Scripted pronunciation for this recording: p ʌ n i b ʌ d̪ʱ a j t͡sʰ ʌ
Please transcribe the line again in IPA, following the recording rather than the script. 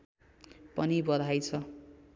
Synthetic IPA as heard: p ʌ n i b ʌ d̪ʱ a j t͡sʰ ʌ